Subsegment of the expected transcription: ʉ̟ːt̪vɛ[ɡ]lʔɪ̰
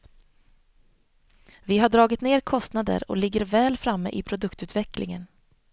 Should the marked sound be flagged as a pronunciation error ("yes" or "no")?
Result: yes